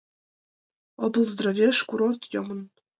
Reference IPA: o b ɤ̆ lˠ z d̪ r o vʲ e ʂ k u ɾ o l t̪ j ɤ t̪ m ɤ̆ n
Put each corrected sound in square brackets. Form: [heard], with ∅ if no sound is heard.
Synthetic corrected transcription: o b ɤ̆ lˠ z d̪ r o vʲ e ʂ k u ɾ o [r] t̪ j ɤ [∅] m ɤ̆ n